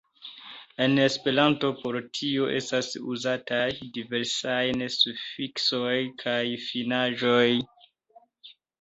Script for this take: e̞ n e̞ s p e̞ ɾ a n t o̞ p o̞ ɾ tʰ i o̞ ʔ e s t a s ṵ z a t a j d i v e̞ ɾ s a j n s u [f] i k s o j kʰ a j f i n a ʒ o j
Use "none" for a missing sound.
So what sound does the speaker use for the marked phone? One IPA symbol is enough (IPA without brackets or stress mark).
f